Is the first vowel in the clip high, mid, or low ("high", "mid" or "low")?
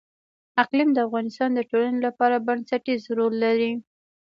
low